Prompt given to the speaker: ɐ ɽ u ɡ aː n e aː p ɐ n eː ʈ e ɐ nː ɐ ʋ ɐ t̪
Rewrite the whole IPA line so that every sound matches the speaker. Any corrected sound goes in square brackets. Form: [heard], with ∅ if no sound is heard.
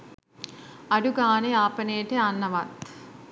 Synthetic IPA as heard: ɐ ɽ u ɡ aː n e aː p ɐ n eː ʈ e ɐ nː ɐ ʋ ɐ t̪